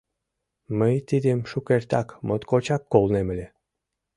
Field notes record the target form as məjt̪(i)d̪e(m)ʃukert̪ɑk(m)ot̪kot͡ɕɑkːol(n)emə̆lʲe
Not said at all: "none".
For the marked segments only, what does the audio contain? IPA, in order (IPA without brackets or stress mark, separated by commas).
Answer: i, m, m, n